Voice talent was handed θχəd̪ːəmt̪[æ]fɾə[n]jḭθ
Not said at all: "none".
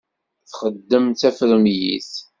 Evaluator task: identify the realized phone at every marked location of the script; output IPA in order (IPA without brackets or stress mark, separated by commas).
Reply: æ, m